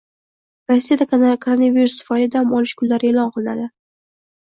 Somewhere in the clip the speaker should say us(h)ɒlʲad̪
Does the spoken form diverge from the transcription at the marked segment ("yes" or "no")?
yes